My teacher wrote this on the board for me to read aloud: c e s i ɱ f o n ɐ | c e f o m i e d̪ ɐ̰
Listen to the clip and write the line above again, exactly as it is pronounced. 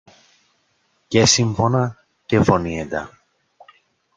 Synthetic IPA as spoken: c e s i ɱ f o n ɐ | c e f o n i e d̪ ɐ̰